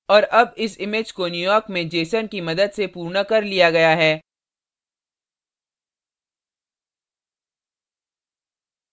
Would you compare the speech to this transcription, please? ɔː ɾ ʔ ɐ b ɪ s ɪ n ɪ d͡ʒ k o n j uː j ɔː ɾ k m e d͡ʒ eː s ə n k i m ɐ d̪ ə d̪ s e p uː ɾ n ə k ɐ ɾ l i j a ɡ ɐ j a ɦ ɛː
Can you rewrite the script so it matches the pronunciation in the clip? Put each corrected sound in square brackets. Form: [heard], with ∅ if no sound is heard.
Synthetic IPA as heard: ɔː ɾ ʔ ɐ b ɪ s ɪ [m] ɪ d͡ʒ k o n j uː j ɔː ɾ k m [ẽ] d͡ʒ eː s ə n k i m ɐ d̪ ə d̪ s e p uː ɾ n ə k ɐ ɾ l i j a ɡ ɐ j a ɦ ɛː